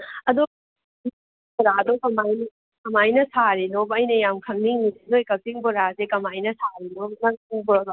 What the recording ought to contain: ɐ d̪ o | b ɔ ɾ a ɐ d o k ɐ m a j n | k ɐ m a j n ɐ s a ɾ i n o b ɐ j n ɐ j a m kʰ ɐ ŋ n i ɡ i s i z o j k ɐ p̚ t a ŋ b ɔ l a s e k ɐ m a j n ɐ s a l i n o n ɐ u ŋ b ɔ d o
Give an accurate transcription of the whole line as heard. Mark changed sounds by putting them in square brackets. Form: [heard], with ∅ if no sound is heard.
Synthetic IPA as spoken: ɐ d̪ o | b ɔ ɾ a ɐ d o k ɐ m a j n | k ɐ m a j n ɐ s a ɾ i n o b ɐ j n ɐ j a m kʰ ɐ ŋ n i [ŋ] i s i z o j k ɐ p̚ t [i] ŋ b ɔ [ɾ] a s e k ɐ m a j n ɐ s a [ɾ] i n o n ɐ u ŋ b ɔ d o